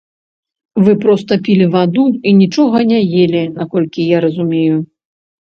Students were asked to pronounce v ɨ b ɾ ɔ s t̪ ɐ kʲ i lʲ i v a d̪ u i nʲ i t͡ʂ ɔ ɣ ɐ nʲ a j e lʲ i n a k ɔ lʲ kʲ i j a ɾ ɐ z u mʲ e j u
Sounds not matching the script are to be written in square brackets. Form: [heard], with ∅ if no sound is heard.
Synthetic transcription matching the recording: v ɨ [p] ɾ ɔ s t̪ ɐ [pʲ] i lʲ i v a d̪ u i nʲ i t͡ʂ ɔ ɣ ɐ nʲ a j e lʲ i n a k ɔ lʲ kʲ i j a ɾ ɐ z u mʲ e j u